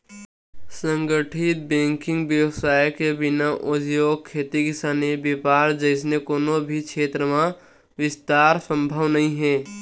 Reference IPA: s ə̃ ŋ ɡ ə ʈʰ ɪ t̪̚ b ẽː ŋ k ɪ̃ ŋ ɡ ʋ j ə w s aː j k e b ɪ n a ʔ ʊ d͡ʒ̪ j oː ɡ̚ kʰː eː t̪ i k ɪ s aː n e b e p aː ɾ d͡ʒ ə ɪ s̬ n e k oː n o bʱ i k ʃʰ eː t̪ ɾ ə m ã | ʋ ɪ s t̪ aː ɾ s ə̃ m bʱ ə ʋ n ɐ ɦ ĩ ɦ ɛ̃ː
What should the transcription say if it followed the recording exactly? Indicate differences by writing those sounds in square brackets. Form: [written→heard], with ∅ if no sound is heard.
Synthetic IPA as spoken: s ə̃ ŋ ɡ ə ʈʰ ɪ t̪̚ b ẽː ŋ k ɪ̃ ŋ ɡ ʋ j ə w s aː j k e b ɪ n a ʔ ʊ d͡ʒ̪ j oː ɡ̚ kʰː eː t̪ i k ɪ s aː n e b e p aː ɾ d͡ʒ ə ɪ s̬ n e k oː n o bʱ i k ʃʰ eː t̪ ɾ ə m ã | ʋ ɪ s t̪ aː ɾ s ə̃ m bʱ ə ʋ n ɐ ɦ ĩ ɦ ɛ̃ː